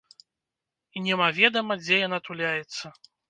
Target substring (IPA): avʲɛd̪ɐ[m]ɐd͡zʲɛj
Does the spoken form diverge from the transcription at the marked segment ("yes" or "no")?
no